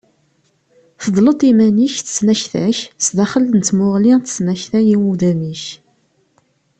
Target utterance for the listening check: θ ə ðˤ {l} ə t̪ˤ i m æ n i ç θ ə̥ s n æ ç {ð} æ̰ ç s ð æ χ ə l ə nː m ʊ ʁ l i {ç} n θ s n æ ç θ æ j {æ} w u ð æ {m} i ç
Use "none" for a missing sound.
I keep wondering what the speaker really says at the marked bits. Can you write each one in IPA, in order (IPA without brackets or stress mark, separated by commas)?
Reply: l, θ, none, i, m